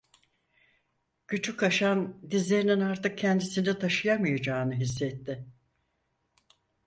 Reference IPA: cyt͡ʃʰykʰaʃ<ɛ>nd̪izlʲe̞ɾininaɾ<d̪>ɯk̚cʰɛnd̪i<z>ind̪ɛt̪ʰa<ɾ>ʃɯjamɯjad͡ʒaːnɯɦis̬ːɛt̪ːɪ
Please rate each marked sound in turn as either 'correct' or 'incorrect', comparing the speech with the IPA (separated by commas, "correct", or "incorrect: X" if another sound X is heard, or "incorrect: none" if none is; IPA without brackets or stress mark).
incorrect: a, incorrect: t̪, incorrect: s, incorrect: none